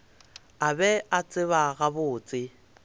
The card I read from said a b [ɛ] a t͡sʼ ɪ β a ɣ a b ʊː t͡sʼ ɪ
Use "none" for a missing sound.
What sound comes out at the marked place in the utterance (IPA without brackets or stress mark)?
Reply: ɛ